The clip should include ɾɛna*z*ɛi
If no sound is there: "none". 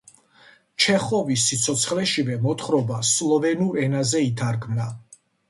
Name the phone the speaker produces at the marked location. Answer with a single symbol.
z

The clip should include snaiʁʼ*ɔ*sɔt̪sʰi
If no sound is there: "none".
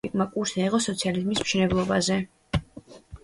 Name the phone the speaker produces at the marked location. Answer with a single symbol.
ɔ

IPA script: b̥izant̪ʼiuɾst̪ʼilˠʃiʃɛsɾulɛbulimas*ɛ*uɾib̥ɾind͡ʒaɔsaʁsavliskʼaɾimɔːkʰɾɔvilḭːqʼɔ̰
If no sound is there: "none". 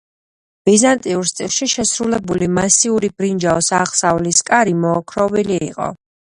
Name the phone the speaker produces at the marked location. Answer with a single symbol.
i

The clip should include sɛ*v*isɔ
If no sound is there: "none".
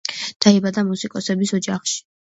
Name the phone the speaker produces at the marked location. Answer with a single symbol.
b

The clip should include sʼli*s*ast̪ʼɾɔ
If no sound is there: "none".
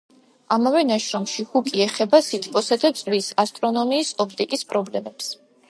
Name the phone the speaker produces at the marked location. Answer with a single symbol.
s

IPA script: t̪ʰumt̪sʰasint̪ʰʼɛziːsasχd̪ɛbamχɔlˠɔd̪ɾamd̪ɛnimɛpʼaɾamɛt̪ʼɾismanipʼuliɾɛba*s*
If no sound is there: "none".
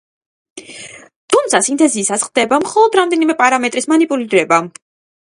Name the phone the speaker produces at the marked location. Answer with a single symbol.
none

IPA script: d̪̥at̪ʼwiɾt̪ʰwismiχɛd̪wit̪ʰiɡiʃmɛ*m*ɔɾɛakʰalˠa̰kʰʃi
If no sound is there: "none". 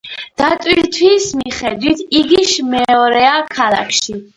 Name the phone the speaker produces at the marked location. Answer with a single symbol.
none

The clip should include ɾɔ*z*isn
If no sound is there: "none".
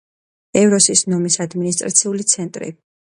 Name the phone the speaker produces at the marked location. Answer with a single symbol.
s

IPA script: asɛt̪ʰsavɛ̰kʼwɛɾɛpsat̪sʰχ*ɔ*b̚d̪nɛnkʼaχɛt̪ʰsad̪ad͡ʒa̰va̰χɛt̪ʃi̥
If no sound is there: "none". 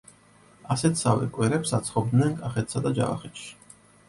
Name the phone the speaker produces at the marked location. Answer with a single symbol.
ɔ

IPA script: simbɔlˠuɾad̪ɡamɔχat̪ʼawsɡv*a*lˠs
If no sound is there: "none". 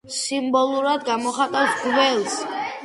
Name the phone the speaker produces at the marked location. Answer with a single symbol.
ɛ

